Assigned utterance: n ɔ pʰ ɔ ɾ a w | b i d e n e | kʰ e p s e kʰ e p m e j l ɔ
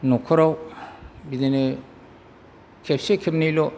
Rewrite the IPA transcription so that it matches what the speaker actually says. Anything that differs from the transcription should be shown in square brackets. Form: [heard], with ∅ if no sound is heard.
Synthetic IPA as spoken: n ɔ [kʰ] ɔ ɾ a w | b i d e n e | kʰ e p s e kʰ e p [n] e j l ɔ